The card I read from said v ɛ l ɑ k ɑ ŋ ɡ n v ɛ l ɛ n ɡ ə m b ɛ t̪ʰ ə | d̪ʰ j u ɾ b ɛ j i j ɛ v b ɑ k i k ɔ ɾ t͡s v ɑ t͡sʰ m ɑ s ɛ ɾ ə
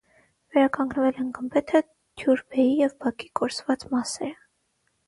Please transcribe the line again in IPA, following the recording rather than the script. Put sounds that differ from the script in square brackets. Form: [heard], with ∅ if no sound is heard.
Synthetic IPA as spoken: v ɛ [ɾ] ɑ k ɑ ŋ ɡ n v ɛ l ɛ n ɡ ə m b ɛ t̪ʰ ə | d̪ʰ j u ɾ b ɛ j i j ɛ v b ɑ k i k ɔ ɾ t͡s v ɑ [t͡s] m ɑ s ɛ ɾ ə